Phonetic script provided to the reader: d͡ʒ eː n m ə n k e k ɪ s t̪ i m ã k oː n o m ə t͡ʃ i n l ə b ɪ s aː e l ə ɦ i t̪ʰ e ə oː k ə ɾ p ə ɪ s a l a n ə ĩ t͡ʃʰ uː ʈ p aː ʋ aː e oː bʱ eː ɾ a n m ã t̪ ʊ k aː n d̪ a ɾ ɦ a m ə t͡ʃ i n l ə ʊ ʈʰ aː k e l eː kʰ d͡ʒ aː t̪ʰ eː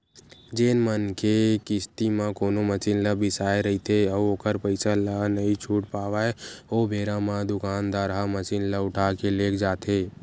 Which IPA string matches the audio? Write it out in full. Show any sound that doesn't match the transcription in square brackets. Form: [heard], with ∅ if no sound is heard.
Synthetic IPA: d͡ʒ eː n m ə n k e k ɪ s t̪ i m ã k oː n o m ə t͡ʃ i n l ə b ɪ s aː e [ɾ] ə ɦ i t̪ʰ e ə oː k ə ɾ p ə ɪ s a l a n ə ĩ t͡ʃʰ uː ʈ p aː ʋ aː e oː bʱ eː ɾ a [∅] m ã [d̪] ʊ k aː n d̪ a ɾ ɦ a m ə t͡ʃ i n l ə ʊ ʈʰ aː k e l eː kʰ d͡ʒ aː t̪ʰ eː